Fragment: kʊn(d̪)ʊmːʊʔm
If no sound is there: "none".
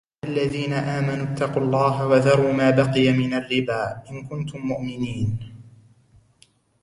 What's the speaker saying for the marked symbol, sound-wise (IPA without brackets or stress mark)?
t̪